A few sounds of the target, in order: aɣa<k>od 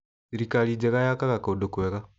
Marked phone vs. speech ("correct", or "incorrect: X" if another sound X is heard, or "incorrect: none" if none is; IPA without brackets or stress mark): correct